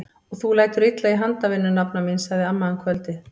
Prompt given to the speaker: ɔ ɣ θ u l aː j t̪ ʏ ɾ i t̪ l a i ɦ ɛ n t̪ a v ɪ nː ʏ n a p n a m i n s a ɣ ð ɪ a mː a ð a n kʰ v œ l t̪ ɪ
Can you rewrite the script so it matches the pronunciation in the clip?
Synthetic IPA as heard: ɔ ɣ θ u l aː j t̪ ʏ ɾ i t̪ l a i ɦ a n t̪ a v ɪ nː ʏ n a p n a m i n s a ɣ ð ɪ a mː a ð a n kʰ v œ l t̪ ɪ